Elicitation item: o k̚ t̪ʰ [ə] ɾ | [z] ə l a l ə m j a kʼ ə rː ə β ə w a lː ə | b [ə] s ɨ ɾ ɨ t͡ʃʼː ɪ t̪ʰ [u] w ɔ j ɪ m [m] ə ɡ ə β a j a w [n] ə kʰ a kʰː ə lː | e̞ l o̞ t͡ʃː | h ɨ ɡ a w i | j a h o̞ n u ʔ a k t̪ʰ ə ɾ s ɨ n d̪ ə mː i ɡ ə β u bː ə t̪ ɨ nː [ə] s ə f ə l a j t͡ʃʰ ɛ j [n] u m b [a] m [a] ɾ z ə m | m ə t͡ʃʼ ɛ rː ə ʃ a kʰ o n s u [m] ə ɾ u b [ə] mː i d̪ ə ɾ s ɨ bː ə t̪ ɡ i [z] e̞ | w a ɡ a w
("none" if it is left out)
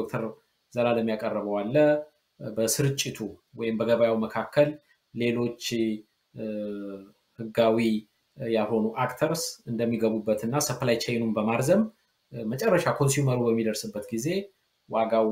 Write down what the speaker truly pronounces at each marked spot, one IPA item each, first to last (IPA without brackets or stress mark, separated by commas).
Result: ə, z, ə, u, b, m, a, n, ə, a, m, ə, z